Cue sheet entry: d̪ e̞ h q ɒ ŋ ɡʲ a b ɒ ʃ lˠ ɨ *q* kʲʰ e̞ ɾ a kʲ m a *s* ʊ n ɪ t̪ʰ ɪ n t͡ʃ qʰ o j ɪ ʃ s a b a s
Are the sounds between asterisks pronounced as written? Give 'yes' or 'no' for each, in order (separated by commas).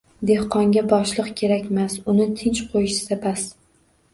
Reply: yes, yes